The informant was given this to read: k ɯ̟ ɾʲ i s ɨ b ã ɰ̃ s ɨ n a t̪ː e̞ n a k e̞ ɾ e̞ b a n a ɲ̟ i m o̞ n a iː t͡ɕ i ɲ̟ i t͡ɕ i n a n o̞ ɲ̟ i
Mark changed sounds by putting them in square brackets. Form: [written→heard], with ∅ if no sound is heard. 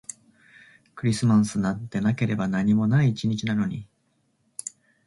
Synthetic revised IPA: k ɯ̟ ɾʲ i s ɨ [b→m] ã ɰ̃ s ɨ n a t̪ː e̞ n a k e̞ ɾ e̞ b a n a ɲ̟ i m o̞ n a iː t͡ɕ i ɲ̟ i t͡ɕ i n a n o̞ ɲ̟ i

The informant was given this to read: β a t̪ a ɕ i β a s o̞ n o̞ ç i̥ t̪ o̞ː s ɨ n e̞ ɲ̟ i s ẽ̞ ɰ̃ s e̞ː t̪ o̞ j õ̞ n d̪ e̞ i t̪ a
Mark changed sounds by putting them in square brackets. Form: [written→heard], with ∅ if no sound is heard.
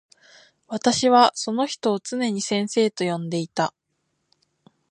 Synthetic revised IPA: β a t̪ a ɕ i β a s o̞ n o̞ ç i̥ t̪ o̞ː [s→t͡s] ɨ n e̞ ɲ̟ i s ẽ̞ ɰ̃ s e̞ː t̪ o̞ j õ̞ n d̪ e̞ i t̪ a

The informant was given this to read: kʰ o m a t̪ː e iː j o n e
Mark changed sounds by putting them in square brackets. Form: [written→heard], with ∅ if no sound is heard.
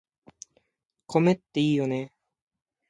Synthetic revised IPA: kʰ o m [a→e] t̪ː e iː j o n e

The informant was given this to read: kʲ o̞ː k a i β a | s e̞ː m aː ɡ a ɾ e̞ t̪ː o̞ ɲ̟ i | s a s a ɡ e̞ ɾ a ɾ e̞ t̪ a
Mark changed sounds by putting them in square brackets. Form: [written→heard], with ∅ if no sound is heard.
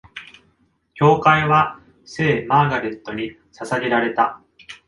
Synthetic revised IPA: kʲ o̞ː k a i β a | s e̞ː m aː ɡ a ɾ e̞ t̪ː o̞ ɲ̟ i | s a s a ɡ e̞ ɾ a ɾ e̞ t̪ a

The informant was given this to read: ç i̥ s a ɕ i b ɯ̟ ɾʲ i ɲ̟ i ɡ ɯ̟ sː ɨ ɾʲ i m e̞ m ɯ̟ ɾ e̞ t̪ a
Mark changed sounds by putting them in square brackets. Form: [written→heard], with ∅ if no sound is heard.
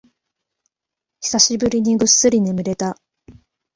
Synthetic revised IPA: ç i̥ s a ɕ i b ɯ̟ ɾʲ i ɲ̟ i ɡ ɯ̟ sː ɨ ɾʲ i [m→n] e̞ m ɯ̟ ɾ e̞ t̪ a

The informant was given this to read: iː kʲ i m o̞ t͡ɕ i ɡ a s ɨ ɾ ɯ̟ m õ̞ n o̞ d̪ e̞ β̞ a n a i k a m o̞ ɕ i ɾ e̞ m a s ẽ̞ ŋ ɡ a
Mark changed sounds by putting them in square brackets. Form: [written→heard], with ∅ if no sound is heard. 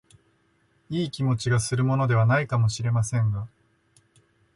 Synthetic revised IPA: iː kʲ i m o̞ t͡ɕ i ɡ a s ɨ ɾ ɯ̟ m [õ̞→o̞] n o̞ d̪ e̞ β̞ a n a i k a m o̞ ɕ i ɾ e̞ m a s ẽ̞ ŋ ɡ a

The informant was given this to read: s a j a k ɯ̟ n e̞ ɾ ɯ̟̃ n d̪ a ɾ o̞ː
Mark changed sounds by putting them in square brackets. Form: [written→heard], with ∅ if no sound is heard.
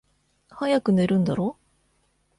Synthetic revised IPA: [s→h] a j a k ɯ̟ n e̞ ɾ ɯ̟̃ n d̪ a ɾ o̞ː

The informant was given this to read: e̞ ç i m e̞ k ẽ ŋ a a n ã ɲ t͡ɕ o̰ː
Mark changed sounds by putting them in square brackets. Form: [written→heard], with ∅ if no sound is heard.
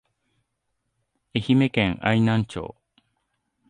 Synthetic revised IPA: e̞ ç i m e̞ k ẽ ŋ a [a→i] n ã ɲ t͡ɕ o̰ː

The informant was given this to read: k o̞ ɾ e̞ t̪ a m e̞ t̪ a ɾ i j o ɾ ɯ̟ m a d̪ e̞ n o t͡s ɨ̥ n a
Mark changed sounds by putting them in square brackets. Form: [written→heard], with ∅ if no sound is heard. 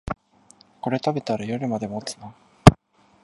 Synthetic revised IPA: k o̞ ɾ e̞ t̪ a [m→b] e̞ t̪ a ɾ [i→a] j o ɾ ɯ̟ m a d̪ e̞ [n→m] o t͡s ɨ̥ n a

